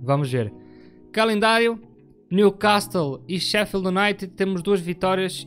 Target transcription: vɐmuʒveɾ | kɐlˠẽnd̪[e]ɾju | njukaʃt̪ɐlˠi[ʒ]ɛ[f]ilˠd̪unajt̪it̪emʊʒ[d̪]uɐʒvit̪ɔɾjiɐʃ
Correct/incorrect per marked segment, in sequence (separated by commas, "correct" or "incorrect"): incorrect, incorrect, correct, correct